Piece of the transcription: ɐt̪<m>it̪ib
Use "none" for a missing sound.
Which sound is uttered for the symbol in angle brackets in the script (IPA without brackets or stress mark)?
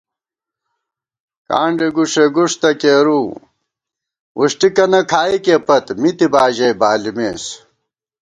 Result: m